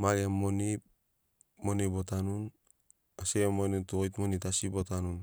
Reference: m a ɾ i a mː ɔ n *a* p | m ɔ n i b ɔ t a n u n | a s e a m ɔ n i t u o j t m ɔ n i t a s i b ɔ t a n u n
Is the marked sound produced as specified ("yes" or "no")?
no